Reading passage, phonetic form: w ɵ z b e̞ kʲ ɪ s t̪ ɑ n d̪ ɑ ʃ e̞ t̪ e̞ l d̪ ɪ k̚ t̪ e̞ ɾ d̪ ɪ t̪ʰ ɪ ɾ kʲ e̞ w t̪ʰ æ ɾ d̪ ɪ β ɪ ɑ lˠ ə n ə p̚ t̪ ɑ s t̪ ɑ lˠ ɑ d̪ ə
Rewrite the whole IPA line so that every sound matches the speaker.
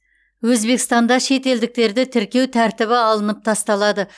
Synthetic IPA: w ɵ z b e̞ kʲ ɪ s t̪ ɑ n d̪ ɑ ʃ e̞ t̪ e̞ l d̪ ɪ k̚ t̪ e̞ ɾ d̪ ɪ t̪ʰ ɪ ɾ kʲ e̞ w t̪ʰ æ ɾ t̪ ɪ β ɪ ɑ lˠ ə n ə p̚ t̪ʰ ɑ s t̪ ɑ lˠ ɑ d̪ ə